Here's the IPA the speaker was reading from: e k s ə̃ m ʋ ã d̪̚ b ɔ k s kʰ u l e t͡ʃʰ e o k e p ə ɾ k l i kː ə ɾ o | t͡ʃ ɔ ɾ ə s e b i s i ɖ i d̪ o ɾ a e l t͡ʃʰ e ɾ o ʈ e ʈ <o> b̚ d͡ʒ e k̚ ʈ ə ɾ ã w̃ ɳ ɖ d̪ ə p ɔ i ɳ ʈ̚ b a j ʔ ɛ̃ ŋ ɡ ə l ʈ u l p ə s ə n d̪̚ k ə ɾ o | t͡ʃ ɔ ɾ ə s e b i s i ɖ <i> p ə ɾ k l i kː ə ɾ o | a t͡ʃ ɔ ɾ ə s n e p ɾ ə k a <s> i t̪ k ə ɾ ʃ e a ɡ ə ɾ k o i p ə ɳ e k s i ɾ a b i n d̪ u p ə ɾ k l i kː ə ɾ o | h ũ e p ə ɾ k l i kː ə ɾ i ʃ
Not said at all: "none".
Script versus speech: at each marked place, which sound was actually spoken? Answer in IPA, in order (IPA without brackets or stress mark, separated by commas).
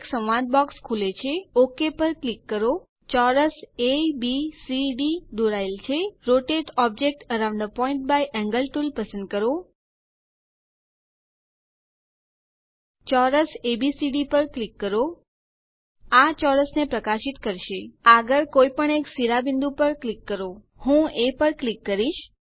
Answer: ɔ, i, ʃ